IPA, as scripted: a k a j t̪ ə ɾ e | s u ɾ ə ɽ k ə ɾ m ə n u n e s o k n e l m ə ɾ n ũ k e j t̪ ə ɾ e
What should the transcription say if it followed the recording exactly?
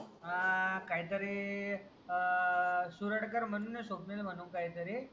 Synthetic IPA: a k a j t̪ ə ɾ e | s u ɾ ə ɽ k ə ɾ m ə n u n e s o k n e l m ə n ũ k a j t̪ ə ɾ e